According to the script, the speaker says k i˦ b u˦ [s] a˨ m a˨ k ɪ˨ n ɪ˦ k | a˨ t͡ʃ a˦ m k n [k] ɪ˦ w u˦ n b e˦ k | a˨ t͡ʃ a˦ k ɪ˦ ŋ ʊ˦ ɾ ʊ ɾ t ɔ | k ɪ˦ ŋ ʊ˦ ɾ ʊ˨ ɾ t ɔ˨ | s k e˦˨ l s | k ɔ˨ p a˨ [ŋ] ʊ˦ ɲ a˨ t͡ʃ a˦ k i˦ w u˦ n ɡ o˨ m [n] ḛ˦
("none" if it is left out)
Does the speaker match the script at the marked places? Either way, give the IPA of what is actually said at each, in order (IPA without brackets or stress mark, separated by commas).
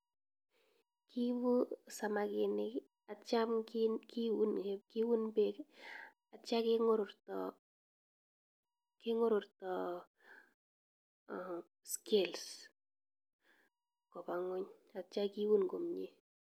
s, k, ŋ, ɲ